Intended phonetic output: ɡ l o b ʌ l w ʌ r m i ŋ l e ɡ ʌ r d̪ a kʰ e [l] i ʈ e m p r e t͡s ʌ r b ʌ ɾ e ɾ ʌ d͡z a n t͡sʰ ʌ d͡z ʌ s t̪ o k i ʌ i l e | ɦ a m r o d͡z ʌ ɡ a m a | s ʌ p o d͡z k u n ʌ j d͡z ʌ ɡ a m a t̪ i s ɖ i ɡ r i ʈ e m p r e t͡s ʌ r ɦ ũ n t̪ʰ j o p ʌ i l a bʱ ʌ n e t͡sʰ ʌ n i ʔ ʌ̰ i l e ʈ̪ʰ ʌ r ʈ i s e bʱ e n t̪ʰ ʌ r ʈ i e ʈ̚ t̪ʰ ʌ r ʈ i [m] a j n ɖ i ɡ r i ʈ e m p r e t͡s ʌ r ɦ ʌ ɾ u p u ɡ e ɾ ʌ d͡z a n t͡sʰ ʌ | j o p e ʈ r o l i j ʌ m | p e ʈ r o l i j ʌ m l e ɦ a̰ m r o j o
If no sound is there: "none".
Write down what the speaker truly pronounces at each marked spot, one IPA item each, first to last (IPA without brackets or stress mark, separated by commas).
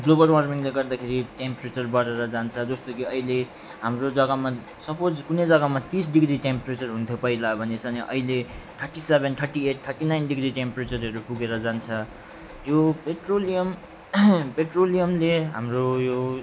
ɾ, n